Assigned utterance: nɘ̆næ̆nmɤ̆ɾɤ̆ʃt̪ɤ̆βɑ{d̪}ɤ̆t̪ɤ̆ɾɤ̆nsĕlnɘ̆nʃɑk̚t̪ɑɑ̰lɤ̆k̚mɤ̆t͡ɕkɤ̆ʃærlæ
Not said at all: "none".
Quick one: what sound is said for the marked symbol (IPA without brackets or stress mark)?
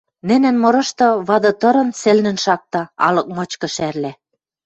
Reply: d̪